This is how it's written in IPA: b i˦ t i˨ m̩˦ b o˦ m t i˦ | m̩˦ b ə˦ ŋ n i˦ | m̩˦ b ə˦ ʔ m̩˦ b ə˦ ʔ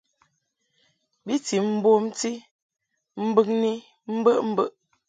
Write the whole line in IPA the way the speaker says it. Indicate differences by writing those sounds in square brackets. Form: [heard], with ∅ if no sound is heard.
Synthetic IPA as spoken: b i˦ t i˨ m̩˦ b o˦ m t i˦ | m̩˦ b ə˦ ŋ n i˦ | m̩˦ b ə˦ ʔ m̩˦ b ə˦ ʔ